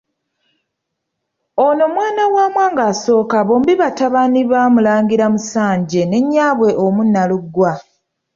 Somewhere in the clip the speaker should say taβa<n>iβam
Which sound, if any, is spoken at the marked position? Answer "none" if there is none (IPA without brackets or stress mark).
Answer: n